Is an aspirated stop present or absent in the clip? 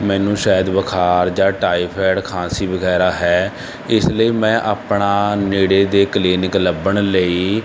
present